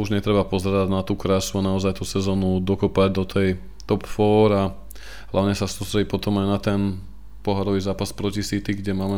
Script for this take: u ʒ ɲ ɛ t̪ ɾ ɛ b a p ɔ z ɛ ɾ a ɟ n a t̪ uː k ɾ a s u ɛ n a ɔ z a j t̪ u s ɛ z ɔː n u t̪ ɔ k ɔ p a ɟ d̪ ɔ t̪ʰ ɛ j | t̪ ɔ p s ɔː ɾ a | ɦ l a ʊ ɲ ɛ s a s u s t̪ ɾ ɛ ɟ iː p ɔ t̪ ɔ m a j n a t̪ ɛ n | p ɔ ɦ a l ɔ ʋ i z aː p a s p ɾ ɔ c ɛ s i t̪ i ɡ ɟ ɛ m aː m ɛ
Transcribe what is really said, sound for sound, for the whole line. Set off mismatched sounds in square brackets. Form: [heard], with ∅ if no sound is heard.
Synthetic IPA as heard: u ʒ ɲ ɛ t̪ ɾ ɛ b a p ɔ z ɛ ɾ a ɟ n a t̪ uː k ɾ a s u [a] n a ɔ z a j t̪ u s ɛ z ɔː n u [d̪] ɔ k ɔ p a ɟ d̪ ɔ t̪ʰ ɛ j | t̪ ɔ p [f] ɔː ɾ a | ɦ l a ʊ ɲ ɛ s a s u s t̪ ɾ ɛ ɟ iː p ɔ t̪ ɔ m a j n a t̪ ɛ n | p ɔ ɦ a [ɾ] ɔ ʋ i z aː p a s p ɾ ɔ c [i] s i t̪ i ɡ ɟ ɛ m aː m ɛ